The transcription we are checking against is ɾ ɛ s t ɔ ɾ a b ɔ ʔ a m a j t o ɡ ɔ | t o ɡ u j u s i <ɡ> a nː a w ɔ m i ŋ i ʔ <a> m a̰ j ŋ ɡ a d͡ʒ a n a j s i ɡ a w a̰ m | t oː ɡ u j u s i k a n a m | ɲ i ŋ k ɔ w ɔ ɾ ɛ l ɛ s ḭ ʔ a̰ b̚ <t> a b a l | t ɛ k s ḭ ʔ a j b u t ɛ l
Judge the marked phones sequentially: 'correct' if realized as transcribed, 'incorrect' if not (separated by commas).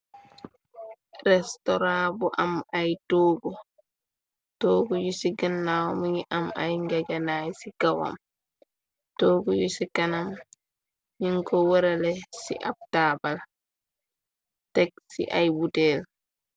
correct, correct, correct